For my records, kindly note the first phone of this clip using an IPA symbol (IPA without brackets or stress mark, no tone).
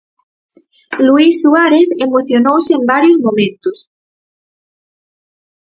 l